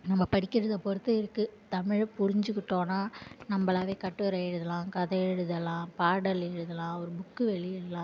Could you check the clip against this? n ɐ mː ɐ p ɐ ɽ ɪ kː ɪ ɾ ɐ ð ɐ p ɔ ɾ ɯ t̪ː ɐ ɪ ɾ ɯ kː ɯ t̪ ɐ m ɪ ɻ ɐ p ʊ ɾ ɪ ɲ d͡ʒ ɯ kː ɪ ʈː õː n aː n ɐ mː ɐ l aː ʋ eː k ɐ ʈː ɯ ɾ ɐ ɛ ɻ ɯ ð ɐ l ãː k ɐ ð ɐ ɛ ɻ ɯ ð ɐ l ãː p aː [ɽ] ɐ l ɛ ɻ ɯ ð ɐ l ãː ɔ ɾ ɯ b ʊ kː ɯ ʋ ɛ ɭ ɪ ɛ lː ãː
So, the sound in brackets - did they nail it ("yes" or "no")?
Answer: yes